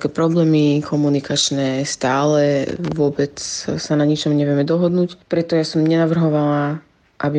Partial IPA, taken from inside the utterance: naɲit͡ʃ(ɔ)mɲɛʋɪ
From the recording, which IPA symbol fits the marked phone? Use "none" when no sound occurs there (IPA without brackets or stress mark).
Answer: ɔ